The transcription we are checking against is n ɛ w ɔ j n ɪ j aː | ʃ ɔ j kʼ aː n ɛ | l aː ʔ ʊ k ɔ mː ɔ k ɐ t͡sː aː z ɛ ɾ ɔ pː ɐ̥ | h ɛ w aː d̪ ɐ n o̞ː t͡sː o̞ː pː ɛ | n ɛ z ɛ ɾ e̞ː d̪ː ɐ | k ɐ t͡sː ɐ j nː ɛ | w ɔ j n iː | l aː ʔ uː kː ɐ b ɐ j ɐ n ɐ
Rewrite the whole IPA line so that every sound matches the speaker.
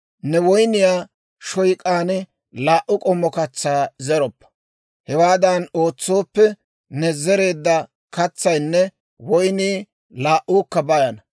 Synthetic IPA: n ɛ w ɔ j n ɪ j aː | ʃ ɔ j kʼ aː n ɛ | l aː ʔ ʊ kʼ ɔ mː ɔ k ɐ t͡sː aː z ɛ ɾ ɔ pː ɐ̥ | h ɛ w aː d̪ ɐ n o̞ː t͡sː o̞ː pː ɛ | n ɛ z ɛ ɾ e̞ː d̪ː ɐ | k ɐ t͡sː ɐ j nː ɛ | w ɔ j n iː | l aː ʔ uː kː ɐ b ɐ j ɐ n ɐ